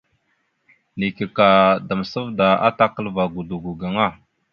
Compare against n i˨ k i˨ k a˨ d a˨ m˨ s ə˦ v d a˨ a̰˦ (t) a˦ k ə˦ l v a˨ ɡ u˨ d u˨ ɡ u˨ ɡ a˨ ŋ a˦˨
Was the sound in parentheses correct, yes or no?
yes